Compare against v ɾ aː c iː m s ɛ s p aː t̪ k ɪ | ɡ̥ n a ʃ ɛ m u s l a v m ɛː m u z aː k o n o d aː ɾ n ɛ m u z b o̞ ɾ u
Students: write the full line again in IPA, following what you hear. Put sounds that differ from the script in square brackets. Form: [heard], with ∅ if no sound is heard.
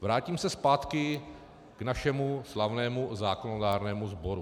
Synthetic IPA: v ɾ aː c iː m s ɛ s p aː t̪ k ɪ | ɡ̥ n a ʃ ɛ m u s l a v [n] ɛː m u z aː k o n o d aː ɾ n [ɛː] m u z b o̞ ɾ u